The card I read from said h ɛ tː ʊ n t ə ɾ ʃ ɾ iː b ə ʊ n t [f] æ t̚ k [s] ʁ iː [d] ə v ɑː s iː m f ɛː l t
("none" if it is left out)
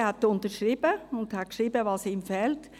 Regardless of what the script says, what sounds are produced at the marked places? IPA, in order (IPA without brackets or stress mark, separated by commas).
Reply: h, ʃ, b